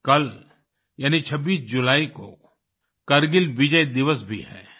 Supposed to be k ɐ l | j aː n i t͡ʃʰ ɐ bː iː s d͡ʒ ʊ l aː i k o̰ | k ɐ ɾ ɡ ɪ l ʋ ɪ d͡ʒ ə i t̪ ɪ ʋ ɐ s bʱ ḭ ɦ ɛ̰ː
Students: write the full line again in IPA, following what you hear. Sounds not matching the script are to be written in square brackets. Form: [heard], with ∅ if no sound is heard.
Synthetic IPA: k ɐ l | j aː n i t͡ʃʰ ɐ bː iː s d͡ʒ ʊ l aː i k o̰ | k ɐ ɾ ɡ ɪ l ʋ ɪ d͡ʒ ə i [d̪] ɪ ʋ [ə] s bʱ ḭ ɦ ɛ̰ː